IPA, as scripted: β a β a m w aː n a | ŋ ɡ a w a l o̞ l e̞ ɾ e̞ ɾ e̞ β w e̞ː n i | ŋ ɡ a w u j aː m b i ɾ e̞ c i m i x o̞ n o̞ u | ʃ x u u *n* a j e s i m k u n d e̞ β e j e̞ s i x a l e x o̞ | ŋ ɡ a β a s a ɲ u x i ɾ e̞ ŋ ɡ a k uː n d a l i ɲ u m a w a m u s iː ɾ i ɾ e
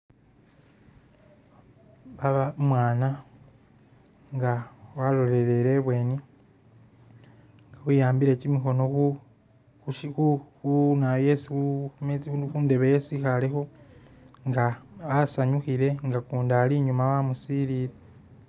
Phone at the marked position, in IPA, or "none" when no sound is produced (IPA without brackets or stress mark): n